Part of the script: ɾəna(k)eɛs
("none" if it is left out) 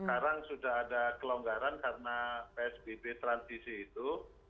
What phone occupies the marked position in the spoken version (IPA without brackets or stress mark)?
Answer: p